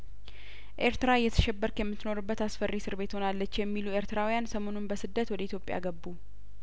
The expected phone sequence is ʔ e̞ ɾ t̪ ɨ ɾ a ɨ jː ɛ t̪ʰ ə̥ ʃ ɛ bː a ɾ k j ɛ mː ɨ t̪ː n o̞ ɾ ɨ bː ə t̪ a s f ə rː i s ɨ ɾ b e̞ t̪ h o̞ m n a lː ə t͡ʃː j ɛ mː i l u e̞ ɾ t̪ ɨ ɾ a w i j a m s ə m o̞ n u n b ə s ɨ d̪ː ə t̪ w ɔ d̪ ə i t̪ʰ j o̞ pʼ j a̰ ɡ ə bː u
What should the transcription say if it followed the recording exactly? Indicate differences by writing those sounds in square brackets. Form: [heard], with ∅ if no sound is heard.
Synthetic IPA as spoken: ʔ e̞ ɾ t̪ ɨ ɾ a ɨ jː ɛ t̪ʰ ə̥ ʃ ɛ bː [ə] ɾ k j ɛ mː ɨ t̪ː n o̞ ɾ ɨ bː ə t̪ a s f ə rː i s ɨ ɾ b e̞ t̪ h o̞ [∅] n a lː ə t͡ʃː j ɛ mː i l u e̞ ɾ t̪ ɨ ɾ a w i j a [n] s ə m o̞ n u n b ə s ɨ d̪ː ə t̪ w ɔ d̪ ə i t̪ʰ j o̞ pʼ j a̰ ɡ ə bː u

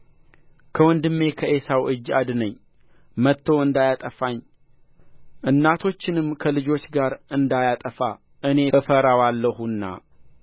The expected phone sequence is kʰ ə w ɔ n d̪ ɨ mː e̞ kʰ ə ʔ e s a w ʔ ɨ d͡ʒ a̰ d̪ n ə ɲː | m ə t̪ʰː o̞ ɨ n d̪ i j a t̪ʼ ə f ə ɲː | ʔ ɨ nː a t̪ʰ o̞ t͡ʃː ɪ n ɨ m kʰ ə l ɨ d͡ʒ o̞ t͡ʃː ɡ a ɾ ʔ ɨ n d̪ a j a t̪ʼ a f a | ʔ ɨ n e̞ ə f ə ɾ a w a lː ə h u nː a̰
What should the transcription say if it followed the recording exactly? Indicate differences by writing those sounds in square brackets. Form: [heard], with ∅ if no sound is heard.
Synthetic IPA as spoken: kʰ ə w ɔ n d̪ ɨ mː e̞ kʰ ə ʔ e s a w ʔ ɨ d͡ʒ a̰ d̪ n ə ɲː | m ə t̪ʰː o̞ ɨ n d̪ [a] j a t̪ʼ ə f [a] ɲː | ʔ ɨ nː a t̪ʰ o̞ t͡ʃː ɪ n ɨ m kʰ ə l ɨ d͡ʒ o̞ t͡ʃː ɡ a ɾ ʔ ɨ n d̪ a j a t̪ʼ [ə] f a | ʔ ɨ n e̞ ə f ə ɾ a w a lː ə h u nː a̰

